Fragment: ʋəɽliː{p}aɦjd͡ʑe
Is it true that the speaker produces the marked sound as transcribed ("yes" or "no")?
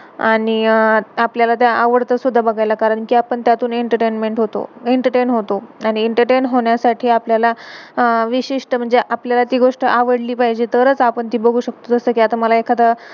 yes